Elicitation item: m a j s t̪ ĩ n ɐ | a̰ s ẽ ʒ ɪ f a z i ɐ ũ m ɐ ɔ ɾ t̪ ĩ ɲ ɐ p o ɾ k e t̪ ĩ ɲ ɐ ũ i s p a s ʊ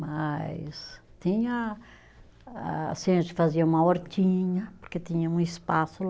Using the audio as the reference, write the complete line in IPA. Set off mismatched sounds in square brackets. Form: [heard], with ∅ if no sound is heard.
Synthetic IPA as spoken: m a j s t̪ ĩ [ɲ] ɐ | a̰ s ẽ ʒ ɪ f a z i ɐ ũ m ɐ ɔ ɾ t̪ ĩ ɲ ɐ p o ɾ k e t̪ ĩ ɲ ɐ ũ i s p a s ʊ